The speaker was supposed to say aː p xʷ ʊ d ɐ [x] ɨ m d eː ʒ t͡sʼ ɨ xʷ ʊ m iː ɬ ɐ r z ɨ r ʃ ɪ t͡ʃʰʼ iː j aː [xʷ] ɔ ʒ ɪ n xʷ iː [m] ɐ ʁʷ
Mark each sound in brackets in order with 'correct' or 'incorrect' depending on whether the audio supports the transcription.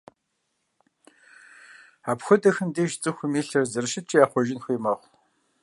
correct, incorrect: χʷ, correct

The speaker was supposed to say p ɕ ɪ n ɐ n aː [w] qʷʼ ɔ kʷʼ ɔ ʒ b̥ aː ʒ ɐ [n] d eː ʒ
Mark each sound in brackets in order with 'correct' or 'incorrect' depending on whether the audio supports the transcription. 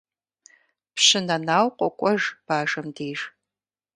correct, incorrect: m

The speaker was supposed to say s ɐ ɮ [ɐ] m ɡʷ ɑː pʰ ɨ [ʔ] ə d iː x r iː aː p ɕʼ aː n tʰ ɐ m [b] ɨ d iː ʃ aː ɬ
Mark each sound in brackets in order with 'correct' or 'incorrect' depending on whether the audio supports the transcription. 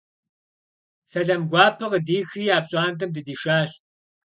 correct, incorrect: q, incorrect: d

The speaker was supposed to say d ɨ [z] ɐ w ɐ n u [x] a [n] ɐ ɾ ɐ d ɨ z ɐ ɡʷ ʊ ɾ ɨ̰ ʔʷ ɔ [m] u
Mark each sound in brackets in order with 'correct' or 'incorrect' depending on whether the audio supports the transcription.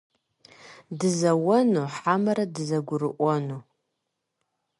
correct, incorrect: ħ, incorrect: m, incorrect: n

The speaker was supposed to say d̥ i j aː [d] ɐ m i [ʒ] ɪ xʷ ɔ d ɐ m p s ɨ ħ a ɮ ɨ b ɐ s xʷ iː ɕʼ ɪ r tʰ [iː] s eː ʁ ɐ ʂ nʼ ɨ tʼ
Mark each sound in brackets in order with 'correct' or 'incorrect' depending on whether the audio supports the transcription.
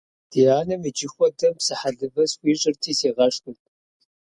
incorrect: n, incorrect: d͡ʒ, correct

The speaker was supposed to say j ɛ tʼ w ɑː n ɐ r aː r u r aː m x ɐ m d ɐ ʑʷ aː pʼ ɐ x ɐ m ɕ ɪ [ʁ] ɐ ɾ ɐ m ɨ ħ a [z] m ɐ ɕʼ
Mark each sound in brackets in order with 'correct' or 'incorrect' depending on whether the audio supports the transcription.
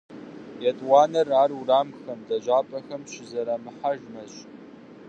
incorrect: z, incorrect: ʒ

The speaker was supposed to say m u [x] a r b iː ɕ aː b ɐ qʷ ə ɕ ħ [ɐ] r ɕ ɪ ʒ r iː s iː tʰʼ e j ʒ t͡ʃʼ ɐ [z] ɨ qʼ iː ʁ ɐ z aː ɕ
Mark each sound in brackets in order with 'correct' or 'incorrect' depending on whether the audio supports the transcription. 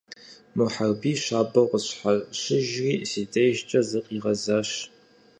incorrect: ħ, incorrect: a, correct

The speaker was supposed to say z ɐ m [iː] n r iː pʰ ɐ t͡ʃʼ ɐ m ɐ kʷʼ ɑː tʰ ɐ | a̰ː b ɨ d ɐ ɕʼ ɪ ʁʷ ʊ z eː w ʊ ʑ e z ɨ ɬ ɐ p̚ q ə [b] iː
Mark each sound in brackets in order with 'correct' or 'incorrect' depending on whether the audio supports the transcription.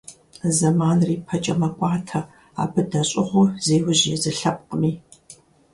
incorrect: aː, incorrect: m

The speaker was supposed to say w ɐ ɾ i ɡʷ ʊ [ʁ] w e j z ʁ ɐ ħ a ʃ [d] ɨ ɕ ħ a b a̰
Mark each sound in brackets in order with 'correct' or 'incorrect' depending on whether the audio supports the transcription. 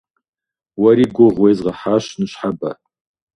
correct, incorrect: n

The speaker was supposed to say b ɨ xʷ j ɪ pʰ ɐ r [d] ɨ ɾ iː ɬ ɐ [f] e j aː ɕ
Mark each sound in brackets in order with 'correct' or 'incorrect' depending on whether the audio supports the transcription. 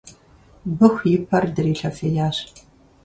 correct, correct

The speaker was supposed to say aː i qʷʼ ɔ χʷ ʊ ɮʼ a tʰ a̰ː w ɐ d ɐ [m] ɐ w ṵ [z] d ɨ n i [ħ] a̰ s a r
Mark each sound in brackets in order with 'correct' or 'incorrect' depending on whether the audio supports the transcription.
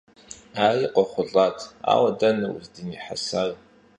incorrect: n, correct, correct

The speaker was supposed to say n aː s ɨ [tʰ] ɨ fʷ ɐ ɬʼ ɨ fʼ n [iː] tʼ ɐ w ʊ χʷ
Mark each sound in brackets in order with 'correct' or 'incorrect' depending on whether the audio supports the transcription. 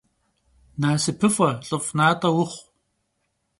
incorrect: pʰ, incorrect: aː

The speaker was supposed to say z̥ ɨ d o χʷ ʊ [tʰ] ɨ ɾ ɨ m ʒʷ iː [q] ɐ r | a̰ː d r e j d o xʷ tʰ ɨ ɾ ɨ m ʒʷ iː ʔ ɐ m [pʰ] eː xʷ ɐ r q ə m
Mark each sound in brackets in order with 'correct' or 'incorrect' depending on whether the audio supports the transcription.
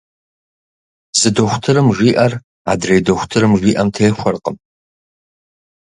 correct, incorrect: ʔ, incorrect: tʰ

